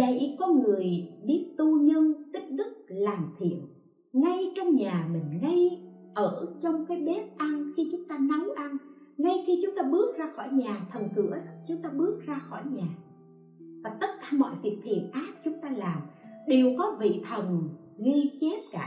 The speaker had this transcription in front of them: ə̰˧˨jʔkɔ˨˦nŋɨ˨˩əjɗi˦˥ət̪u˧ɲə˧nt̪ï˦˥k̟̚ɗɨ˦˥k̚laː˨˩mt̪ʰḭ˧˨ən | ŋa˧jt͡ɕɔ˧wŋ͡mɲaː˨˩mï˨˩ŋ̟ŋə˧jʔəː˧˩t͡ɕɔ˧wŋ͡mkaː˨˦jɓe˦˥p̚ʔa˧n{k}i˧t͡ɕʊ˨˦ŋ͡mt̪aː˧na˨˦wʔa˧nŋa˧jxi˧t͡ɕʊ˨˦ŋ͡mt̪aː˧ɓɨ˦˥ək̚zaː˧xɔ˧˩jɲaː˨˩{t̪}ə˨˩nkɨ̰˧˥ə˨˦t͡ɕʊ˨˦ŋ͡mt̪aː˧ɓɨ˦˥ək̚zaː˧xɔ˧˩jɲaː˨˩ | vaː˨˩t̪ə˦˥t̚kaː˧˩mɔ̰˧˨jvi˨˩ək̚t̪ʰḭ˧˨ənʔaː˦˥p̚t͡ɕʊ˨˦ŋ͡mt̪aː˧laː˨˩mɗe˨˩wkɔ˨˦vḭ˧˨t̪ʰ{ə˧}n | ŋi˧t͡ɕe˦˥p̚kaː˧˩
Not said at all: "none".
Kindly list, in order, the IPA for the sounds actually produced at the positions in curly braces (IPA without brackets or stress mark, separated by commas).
x, t̪ʰ, ə˨˩